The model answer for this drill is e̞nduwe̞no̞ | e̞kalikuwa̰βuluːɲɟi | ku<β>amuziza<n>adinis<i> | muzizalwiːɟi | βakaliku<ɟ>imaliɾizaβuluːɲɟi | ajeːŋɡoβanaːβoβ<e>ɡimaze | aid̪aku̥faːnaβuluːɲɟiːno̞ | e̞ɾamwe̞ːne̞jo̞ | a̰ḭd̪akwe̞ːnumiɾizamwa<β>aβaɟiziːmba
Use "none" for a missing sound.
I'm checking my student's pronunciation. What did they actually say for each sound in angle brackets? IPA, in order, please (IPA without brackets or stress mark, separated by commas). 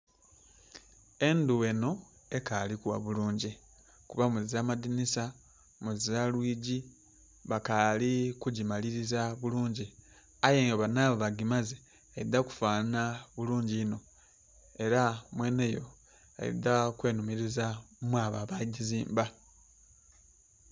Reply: β, m, a, ɟ, a, β